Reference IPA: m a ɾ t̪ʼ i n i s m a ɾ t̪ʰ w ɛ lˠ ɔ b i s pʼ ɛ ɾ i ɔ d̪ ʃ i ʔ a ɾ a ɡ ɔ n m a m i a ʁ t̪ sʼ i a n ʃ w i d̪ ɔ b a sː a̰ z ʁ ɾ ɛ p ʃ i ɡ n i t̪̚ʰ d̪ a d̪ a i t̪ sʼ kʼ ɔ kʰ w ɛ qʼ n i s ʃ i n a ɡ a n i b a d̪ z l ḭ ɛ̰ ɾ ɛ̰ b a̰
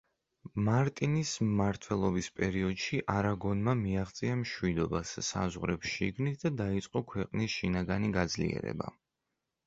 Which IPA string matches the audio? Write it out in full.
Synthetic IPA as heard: m a ɾ t̪ʼ i n i s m a ɾ t̪ʰ w ɛ lˠ ɔ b i s pʼ ɛ ɾ i ɔ d̪ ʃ i ʔ a ɾ a ɡ ɔ n m a m i a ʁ t̪ sʼ i a m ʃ w i d̪ ɔ b a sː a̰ z ʁ ɾ ɛ p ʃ i ɡ n i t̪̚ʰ d̪ a d̪ a i t̪ sʼ qʼ ɔ kʰ w ɛ qʼ n i s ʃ i n a ɡ a n i ɡ a d̪ z l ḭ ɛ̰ ɾ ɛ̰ b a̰

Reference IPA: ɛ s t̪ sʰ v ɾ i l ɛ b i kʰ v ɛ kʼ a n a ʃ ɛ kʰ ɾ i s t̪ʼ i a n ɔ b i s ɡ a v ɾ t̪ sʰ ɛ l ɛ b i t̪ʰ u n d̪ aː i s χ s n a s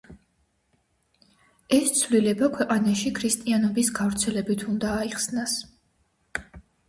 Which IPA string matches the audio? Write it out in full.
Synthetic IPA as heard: ɛ s t̪ sʰ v l i l ɛ b a kʰ w ɛ qʼ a n a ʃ i kʰ ɾ i s t̪ʼ i a n ɔ b i s ɡ a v ɾ t̪ sʰ ɛ l ɛ b i t̪ʰ u n d̪ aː i χ s n a s

